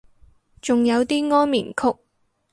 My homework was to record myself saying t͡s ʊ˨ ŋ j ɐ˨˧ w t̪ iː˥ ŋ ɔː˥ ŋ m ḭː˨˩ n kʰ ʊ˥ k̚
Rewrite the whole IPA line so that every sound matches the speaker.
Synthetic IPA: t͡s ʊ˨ ŋ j ɐ˨˧ w t̪ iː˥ ŋ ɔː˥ n m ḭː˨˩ n kʰ ʊ˥ k̚